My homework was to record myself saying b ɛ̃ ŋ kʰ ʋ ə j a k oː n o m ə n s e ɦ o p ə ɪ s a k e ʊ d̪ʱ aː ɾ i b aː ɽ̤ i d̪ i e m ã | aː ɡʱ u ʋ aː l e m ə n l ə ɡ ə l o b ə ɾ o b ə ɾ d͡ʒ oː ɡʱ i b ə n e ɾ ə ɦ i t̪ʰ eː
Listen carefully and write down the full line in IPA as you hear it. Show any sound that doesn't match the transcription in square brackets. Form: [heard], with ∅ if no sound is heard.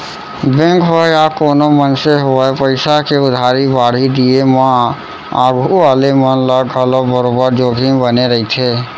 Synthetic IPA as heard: b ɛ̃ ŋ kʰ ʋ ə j a k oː n o m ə n s e ɦ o p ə ɪ s a k e ʊ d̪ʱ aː ɾ i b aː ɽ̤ i d̪ i e m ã | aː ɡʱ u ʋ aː l e m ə n l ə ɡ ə l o b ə ɾ o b ə ɾ d͡ʒ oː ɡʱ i b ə n e ɾ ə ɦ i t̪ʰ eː